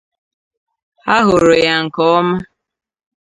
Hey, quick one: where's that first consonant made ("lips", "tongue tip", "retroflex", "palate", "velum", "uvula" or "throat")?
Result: throat